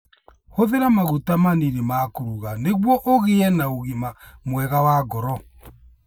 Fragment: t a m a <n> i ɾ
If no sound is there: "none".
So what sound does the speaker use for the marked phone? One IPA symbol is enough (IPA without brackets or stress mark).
n